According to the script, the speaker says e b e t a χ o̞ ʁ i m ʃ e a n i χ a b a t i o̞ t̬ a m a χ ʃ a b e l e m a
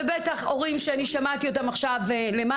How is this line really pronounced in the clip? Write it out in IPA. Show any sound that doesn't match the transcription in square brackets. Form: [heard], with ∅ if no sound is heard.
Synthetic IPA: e b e t a χ o̞ ʁ i m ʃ e a n i [ʃ] a [m] a t i o̞ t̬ a m a χ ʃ a [v] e l e m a